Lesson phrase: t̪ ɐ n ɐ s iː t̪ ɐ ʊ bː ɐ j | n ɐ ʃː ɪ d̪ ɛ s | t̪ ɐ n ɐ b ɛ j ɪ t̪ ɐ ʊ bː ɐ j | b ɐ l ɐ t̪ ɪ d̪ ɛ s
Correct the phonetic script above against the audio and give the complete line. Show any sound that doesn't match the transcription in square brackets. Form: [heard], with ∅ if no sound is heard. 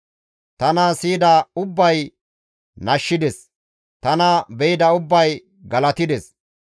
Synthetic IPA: t̪ ɐ n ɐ s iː [d̪] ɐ ʊ bː ɐ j | n ɐ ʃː ɪ d̪ ɛ s | t̪ ɐ n ɐ b ɛ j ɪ [d̪] ɐ ʊ bː ɐ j | [ɡ] ɐ l ɐ t̪ ɪ d̪ ɛ s

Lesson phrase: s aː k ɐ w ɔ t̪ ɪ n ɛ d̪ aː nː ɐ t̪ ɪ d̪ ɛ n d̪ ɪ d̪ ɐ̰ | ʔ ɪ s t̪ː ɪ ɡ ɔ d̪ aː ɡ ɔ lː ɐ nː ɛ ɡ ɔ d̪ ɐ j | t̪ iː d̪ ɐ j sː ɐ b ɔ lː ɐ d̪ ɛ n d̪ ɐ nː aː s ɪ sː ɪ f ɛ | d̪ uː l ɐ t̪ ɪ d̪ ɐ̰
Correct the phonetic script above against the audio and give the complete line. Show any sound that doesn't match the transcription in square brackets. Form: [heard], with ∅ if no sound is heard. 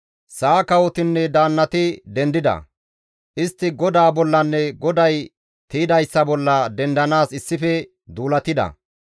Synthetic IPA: s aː k ɐ w ɔ t̪ ɪ [nː] ɛ d̪ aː nː ɐ t̪ ɪ d̪ ɛ n d̪ ɪ d̪ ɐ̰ | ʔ ɪ s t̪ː ɪ ɡ ɔ d̪ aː [b] ɔ lː ɐ nː ɛ ɡ ɔ d̪ ɐ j | t̪ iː d̪ ɐ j sː ɐ b ɔ lː ɐ d̪ ɛ n d̪ ɐ [n] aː s ɪ sː ɪ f ɛ | d̪ uː l ɐ t̪ ɪ d̪ ɐ̰

